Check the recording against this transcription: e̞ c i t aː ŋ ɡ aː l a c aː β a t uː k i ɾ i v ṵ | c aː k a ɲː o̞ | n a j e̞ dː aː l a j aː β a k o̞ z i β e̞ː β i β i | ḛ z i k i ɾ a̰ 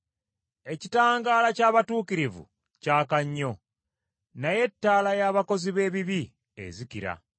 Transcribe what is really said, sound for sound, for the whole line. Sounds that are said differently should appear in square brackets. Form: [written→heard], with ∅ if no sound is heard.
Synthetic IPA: e̞ c i t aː ŋ ɡ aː l a c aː β a t uː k i ɾ i v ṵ | c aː k a ɲː o̞ | n a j e̞ [dː→tː] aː l a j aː β a k o̞ z i β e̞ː β i β i | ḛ z i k i ɾ a̰